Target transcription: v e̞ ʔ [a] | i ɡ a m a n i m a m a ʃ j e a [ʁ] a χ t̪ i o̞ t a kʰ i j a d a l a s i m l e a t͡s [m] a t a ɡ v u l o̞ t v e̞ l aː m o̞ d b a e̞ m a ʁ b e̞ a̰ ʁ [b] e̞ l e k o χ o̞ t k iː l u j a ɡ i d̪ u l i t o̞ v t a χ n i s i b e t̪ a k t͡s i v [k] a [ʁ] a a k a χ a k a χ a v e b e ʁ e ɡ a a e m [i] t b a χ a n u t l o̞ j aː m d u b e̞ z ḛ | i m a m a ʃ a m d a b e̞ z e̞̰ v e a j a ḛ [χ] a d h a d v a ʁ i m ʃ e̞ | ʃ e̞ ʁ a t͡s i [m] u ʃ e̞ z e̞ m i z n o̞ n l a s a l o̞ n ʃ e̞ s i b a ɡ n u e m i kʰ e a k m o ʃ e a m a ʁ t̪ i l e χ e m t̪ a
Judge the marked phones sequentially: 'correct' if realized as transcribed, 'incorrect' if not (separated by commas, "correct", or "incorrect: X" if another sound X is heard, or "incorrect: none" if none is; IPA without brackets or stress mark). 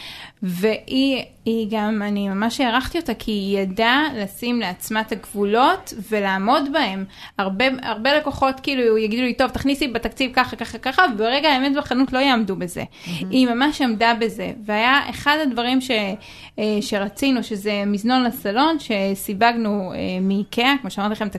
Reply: incorrect: i, correct, correct, correct, correct, incorrect: χ, incorrect: e, correct, incorrect: n